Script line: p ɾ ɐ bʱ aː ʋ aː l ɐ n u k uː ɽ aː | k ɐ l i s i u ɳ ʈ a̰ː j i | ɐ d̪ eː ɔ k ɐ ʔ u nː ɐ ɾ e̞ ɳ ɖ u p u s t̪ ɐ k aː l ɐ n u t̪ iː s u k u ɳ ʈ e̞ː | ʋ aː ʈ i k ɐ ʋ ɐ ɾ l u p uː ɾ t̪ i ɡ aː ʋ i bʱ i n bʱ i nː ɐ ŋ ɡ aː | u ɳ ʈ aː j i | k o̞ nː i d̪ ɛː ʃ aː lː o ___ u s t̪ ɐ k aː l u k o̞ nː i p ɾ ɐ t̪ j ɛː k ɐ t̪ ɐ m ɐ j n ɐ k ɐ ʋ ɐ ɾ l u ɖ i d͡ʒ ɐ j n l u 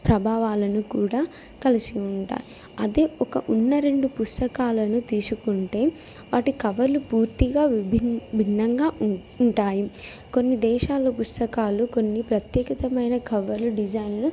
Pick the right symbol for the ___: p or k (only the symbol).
p